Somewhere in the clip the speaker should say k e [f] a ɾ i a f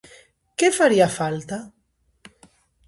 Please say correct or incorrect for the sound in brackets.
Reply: correct